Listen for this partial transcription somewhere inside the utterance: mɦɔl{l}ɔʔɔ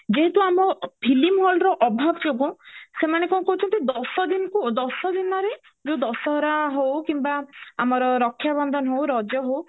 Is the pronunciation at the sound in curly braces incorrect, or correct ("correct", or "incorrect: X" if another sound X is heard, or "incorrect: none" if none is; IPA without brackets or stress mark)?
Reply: incorrect: ɾ